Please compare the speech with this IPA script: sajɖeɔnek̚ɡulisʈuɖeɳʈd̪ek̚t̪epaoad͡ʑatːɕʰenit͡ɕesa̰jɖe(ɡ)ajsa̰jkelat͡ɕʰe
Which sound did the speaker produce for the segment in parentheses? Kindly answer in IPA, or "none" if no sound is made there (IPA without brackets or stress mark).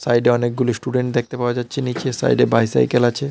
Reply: b